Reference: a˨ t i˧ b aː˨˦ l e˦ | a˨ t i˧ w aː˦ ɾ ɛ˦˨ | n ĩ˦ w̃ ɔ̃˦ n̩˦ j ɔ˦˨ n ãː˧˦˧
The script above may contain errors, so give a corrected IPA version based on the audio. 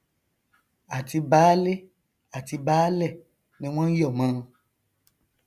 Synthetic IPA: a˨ t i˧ b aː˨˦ l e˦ | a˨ t i˧ b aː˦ l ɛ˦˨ | n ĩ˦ w̃ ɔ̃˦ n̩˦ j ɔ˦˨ m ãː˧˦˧